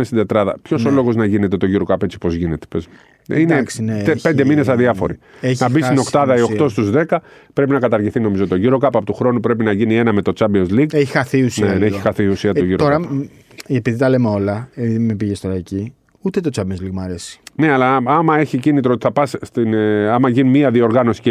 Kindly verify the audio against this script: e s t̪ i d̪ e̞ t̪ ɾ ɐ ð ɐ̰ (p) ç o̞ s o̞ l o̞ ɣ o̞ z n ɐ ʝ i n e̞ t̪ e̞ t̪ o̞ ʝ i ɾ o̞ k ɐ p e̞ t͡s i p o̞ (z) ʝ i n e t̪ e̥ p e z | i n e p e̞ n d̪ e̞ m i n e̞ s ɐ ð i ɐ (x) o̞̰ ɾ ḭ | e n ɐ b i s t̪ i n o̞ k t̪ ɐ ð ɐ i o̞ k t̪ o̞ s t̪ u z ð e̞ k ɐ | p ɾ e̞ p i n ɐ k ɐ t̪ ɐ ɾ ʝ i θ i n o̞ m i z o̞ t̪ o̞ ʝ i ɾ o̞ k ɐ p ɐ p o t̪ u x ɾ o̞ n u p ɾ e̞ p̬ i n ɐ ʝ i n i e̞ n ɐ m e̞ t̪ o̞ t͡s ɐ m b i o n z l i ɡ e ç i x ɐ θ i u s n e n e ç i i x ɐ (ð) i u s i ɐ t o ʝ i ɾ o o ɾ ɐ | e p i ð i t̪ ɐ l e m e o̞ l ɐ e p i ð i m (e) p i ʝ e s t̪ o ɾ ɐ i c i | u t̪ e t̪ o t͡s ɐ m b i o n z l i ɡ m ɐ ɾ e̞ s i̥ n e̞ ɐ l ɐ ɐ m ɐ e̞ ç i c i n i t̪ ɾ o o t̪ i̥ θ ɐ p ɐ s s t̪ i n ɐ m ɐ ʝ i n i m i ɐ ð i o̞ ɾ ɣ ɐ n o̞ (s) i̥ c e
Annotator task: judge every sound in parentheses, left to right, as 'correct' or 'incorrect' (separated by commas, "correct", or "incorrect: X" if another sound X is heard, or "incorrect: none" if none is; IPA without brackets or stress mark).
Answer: correct, correct, incorrect: f, incorrect: θ, correct, correct